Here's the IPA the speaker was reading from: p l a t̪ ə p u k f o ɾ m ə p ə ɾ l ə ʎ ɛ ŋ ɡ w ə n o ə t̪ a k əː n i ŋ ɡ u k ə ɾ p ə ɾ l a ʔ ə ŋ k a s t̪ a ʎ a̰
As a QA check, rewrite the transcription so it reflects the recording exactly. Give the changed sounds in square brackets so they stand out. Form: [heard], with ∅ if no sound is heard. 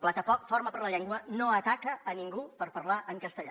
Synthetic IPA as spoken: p l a t̪ ə p [ɔ] k f o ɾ m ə p ə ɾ l ə ʎ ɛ ŋ ɡ w ə n o ə t̪ a k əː n i ŋ ɡ u [p] ə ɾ p ə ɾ l a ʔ ə ŋ k [ə] s t̪ [ə] ʎ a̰